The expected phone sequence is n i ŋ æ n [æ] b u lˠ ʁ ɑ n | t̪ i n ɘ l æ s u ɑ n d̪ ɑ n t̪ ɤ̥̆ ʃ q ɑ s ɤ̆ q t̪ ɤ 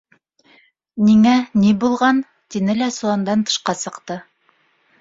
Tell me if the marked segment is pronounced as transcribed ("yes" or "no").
no